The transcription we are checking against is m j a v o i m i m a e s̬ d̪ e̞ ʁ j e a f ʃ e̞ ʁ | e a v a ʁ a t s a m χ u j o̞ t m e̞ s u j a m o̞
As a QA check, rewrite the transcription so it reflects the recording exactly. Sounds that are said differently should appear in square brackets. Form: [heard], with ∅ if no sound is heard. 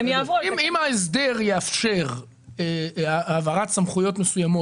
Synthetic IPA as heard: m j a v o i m i m a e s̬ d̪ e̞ ʁ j e a f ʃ e̞ ʁ | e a v a ʁ a t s a m χ u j o̞ t m e̞ s u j a m o̞